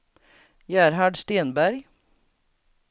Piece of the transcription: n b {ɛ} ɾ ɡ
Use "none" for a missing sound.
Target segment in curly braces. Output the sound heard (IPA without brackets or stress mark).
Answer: æ